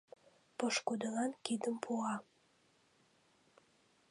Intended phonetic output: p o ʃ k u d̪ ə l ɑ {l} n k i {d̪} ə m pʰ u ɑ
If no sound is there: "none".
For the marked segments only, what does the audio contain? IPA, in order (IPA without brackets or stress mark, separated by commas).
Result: none, d̪